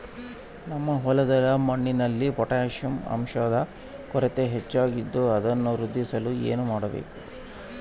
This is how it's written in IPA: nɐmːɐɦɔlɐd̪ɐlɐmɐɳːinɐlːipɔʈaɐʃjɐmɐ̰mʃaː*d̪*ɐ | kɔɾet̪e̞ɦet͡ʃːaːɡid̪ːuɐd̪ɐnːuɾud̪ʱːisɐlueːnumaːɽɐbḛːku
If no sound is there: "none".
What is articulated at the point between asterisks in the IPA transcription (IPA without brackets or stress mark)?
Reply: d̪